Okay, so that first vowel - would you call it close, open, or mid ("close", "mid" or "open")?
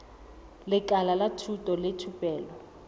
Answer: close